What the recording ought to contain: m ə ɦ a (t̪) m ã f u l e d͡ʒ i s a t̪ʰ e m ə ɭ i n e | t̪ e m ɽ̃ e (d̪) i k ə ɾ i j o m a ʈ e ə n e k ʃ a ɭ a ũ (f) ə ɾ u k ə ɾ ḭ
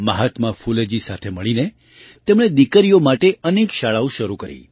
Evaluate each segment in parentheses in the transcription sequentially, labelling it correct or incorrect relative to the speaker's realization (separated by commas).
correct, correct, incorrect